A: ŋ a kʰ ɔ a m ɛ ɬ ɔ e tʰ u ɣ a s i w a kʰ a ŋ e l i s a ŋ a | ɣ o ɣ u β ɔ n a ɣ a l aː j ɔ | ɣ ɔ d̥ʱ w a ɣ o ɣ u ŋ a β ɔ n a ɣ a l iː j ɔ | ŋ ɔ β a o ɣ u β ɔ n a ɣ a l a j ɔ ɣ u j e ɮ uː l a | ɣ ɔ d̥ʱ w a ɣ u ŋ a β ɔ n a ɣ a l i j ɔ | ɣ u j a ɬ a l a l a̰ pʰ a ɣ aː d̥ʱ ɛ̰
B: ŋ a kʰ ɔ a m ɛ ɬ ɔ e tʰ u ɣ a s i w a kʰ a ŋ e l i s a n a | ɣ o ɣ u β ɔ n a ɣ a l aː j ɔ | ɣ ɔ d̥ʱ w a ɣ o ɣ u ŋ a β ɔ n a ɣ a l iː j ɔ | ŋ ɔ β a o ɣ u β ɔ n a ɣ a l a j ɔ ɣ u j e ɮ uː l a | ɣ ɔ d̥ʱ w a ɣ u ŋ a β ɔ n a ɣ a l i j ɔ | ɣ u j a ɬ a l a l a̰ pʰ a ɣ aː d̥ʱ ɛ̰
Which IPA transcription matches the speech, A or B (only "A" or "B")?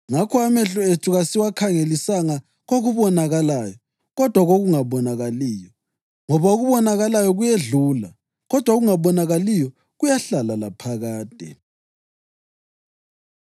A